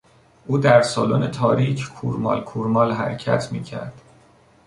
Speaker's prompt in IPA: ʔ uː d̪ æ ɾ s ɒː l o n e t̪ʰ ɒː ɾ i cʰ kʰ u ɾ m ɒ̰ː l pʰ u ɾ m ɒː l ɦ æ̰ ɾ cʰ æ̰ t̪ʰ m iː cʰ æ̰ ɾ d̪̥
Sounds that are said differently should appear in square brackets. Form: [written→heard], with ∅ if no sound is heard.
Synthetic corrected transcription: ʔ uː d̪ æ ɾ s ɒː l o n e t̪ʰ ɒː ɾ i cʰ kʰ u ɾ m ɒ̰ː l [pʰ→kʰ] u ɾ m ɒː l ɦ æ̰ ɾ cʰ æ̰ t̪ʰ m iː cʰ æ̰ ɾ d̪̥